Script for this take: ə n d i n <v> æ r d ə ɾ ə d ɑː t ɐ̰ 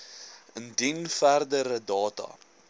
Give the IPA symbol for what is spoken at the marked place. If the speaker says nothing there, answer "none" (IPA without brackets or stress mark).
f